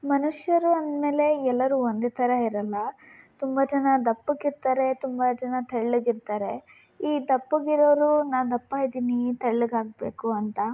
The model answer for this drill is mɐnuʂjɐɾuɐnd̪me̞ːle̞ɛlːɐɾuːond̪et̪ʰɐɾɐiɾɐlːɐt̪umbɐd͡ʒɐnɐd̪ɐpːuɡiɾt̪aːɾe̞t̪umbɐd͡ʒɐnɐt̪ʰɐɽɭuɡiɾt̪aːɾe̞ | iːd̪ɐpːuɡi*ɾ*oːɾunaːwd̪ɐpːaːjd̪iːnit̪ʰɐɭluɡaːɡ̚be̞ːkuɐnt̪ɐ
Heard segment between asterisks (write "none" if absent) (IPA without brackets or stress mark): ɾ